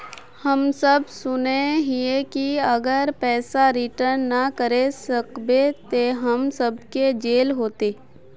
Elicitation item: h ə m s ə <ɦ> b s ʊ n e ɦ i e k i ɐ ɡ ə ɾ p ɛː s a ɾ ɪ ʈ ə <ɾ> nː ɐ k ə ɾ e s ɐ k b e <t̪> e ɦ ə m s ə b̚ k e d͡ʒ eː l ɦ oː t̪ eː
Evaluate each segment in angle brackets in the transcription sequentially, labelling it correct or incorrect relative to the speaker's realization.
incorrect: none, correct, correct

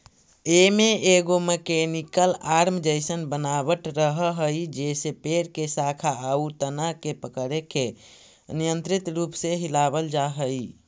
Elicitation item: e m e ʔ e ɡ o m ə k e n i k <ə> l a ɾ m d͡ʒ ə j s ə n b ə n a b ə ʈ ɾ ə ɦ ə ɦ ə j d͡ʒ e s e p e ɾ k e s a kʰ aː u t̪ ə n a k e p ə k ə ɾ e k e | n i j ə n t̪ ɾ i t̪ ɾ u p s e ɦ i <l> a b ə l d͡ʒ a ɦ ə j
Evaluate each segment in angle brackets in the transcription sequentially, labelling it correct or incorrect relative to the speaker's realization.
correct, correct

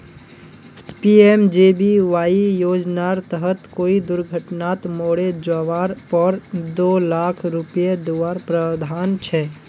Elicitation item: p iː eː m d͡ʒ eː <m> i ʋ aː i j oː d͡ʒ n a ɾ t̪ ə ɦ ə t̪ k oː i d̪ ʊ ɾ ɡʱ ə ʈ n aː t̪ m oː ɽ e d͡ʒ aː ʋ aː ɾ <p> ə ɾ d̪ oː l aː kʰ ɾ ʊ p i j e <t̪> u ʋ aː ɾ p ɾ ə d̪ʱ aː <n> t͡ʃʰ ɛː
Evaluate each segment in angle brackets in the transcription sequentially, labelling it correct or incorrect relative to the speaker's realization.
incorrect: b, correct, incorrect: d̪, correct

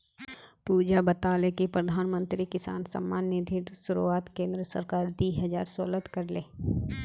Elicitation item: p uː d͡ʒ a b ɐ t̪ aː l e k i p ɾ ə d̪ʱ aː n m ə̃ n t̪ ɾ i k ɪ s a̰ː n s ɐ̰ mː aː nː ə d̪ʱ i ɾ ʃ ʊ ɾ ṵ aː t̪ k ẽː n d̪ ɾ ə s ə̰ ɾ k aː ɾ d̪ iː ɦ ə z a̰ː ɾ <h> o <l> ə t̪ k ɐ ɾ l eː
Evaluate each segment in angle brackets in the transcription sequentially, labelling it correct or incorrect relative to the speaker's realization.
incorrect: s, correct

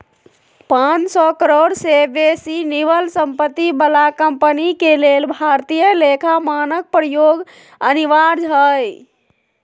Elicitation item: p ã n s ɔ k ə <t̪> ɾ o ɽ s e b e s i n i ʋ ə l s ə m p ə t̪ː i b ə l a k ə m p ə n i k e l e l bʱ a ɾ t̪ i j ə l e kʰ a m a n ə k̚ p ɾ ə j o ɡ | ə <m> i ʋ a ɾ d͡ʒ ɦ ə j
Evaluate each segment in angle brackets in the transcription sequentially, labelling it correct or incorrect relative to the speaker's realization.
incorrect: none, incorrect: n

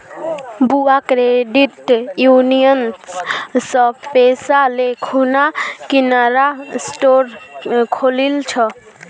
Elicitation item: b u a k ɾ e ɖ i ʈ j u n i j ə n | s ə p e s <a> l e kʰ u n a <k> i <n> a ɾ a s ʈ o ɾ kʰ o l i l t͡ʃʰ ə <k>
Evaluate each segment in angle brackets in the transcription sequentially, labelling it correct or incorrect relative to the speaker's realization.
correct, correct, correct, incorrect: none

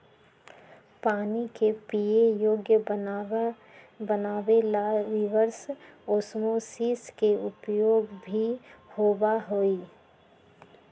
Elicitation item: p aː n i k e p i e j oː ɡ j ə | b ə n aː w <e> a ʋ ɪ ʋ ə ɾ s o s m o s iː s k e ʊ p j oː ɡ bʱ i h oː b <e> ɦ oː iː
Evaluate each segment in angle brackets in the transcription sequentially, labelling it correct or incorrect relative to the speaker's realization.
correct, incorrect: a

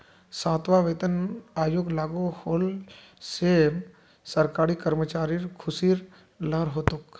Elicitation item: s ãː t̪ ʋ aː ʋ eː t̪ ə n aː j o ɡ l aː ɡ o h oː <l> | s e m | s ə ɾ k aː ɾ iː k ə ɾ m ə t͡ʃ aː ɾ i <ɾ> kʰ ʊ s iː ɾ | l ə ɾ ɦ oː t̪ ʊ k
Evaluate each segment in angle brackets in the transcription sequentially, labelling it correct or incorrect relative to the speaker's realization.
correct, correct

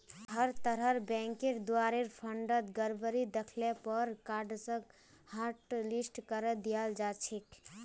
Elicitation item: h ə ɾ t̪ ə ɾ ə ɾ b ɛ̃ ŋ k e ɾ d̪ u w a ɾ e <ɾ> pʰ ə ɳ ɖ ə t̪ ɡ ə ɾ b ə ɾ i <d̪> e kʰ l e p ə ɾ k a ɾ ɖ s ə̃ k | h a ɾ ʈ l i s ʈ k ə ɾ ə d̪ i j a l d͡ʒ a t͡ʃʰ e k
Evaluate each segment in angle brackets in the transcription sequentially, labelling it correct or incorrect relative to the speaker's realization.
correct, correct

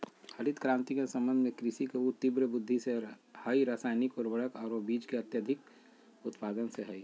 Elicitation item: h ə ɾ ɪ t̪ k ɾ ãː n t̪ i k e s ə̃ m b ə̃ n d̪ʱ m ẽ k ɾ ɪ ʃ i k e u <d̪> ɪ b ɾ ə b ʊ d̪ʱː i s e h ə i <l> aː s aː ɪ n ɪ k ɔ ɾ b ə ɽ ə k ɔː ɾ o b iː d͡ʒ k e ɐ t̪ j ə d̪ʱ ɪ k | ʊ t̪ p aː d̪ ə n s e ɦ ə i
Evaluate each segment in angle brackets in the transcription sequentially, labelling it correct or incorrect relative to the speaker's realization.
incorrect: t̪, incorrect: ɾ

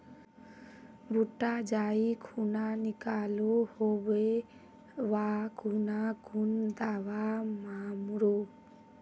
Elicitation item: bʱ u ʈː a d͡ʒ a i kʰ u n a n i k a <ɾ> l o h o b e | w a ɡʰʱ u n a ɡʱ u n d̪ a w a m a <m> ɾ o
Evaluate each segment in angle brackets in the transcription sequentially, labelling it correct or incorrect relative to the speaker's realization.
incorrect: none, correct

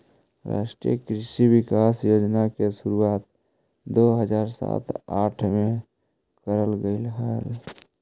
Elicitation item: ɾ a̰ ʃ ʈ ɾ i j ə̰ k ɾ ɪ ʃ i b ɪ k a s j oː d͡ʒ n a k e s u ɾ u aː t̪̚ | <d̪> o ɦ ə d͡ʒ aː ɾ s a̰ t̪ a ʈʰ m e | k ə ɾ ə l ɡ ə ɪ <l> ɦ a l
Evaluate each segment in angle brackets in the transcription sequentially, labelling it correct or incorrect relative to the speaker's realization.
correct, correct

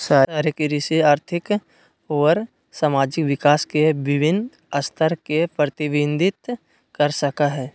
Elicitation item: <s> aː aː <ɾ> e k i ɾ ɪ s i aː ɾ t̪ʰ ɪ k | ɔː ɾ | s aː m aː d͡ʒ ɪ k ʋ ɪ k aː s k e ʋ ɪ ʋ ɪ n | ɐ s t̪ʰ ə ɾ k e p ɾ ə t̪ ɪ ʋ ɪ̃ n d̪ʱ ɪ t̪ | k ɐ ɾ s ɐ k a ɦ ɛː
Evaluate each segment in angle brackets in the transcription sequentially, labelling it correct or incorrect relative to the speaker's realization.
correct, correct

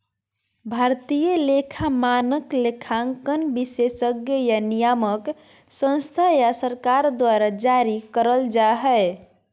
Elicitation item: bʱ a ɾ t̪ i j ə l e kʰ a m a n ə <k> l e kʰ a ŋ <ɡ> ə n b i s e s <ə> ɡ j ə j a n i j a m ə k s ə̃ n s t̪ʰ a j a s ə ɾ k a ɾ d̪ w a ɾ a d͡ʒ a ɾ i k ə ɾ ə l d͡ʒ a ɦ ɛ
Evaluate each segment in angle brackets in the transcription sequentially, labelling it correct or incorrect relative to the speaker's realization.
correct, incorrect: k, correct

